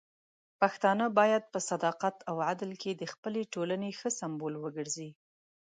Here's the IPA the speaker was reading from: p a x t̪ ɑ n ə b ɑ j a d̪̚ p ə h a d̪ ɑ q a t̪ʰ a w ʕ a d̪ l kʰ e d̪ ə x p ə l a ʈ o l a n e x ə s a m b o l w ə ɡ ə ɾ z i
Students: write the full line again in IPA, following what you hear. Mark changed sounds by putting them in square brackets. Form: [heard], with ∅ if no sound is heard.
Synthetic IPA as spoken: p a x t̪ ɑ n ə b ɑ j a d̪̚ p ə [s] a d̪ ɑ q a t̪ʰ a w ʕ a d̪ l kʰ e d̪ ə x p ə l [e] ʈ o l a n e x ə s a m b o l w ə ɡ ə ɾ z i